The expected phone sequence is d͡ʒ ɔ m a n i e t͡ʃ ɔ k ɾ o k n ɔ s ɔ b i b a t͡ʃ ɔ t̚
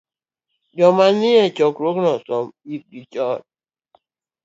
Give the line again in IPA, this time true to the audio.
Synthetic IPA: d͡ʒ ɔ m a n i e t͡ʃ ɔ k ɾ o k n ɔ s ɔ m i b i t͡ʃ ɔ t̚